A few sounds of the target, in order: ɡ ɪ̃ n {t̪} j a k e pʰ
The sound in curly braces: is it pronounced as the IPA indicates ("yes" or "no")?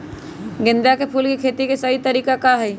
no